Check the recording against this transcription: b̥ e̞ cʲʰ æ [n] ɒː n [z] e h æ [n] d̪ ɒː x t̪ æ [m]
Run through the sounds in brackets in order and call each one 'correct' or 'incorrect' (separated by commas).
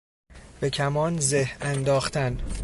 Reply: incorrect, correct, correct, incorrect